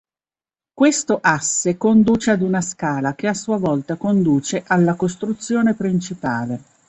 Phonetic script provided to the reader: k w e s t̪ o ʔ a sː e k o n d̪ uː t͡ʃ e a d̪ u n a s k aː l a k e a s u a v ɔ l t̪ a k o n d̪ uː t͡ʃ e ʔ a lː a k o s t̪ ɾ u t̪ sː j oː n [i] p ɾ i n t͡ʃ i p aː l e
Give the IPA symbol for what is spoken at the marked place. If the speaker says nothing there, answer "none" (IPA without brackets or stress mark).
e